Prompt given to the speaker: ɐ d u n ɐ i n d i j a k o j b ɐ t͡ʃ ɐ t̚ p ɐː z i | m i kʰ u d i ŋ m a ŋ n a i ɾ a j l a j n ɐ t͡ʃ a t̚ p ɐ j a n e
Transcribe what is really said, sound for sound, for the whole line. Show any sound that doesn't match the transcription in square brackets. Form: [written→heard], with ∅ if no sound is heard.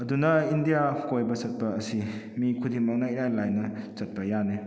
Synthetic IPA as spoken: ɐ d u n ɐ i n d i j a k o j b ɐ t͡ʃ ɐ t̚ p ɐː [z→s] i | m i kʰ u d i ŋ m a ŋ n a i ɾ a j l a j n ɐ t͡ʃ [a→ɐ] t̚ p ɐ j a n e